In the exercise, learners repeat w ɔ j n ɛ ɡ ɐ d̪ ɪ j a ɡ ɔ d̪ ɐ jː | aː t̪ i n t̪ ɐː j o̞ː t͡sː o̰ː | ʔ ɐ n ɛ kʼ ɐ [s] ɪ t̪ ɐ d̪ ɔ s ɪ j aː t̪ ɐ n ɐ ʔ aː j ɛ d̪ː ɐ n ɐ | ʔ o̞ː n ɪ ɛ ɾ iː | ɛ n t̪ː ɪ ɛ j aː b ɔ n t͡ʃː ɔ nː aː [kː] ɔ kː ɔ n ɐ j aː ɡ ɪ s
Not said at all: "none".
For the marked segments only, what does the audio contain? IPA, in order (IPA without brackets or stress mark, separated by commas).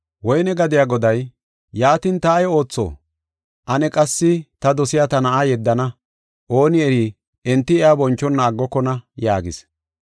sː, ɡː